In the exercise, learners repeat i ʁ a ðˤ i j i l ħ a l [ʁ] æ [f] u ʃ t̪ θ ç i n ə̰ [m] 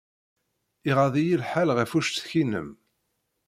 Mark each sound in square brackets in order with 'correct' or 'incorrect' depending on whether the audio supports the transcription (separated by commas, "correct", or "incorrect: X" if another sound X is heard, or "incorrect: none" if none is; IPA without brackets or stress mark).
correct, correct, correct